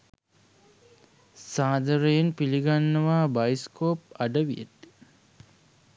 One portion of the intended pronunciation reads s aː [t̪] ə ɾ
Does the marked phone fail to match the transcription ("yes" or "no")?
yes